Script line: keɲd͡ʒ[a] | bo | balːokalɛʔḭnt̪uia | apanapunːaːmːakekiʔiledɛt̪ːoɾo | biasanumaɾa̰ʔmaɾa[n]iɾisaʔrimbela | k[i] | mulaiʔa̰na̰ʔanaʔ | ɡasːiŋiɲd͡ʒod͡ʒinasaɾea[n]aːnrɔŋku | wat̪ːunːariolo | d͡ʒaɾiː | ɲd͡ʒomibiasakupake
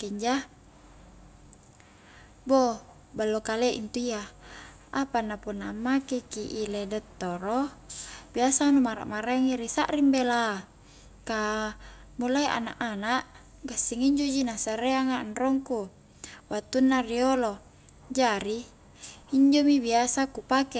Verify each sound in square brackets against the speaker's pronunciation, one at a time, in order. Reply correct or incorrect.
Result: correct, incorrect, incorrect, incorrect

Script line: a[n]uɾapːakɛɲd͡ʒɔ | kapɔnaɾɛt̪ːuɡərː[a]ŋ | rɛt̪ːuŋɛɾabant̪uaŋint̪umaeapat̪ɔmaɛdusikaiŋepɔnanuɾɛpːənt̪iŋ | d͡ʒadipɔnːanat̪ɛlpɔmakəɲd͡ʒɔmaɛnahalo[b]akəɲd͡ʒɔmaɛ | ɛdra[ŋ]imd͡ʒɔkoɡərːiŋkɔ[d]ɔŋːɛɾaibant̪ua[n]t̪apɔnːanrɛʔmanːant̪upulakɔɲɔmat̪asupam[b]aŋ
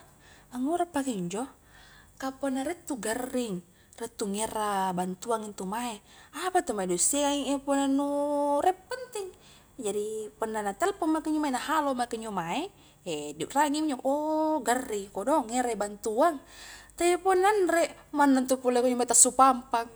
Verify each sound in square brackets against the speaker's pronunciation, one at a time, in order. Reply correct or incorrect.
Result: incorrect, incorrect, incorrect, correct, correct, incorrect, incorrect

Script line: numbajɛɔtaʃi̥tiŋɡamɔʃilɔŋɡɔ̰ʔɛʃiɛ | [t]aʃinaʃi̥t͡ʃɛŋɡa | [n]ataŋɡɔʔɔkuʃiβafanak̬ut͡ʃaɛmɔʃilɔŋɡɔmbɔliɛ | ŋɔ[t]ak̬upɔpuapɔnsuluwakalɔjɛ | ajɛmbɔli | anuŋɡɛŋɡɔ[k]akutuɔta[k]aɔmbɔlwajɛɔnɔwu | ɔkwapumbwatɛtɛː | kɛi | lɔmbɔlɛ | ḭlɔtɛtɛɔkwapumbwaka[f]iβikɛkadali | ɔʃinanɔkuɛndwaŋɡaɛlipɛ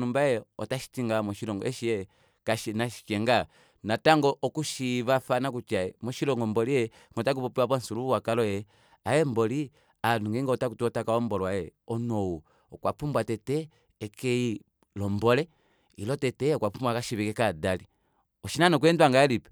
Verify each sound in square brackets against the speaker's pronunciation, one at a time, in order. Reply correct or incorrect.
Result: incorrect, correct, correct, incorrect, correct, incorrect

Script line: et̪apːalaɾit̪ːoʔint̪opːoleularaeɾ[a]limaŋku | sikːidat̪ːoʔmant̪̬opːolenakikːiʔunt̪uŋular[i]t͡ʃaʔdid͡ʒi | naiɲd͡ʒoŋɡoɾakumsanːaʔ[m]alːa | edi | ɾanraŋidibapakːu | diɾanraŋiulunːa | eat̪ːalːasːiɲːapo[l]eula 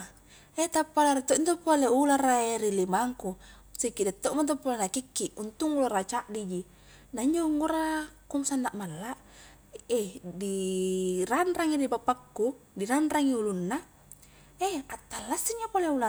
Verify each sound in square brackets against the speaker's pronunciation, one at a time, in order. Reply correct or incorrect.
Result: incorrect, incorrect, correct, correct

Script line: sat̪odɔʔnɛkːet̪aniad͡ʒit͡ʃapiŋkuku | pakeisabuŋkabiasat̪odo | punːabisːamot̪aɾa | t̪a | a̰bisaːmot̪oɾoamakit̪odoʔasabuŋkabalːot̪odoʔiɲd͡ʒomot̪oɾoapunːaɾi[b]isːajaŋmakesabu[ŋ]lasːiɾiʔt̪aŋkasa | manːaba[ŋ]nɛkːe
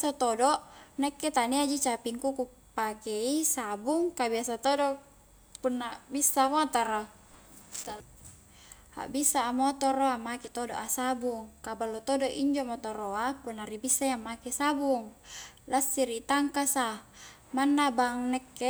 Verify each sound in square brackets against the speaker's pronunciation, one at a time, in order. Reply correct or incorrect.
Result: correct, correct, correct

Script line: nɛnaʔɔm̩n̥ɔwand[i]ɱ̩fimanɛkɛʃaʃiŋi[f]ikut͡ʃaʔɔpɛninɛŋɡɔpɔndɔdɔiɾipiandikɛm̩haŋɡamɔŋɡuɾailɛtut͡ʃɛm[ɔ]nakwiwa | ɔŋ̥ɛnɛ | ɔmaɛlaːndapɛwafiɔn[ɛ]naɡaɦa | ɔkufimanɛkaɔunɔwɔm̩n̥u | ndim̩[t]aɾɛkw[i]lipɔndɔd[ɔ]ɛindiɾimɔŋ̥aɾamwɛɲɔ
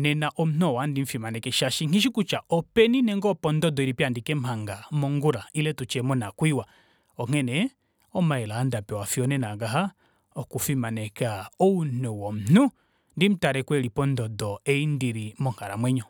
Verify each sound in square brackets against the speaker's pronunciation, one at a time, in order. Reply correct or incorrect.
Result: correct, incorrect, correct, correct, correct, incorrect, correct

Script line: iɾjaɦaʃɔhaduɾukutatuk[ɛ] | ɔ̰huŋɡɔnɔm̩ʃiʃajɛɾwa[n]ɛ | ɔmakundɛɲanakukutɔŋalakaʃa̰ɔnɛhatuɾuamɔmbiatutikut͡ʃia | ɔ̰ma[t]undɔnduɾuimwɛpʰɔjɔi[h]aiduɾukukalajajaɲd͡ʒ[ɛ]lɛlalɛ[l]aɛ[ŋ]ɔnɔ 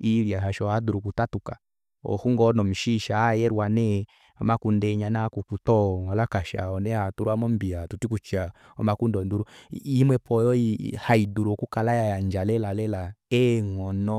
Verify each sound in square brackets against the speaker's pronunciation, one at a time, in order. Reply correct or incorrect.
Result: incorrect, correct, incorrect, correct, incorrect, correct, correct

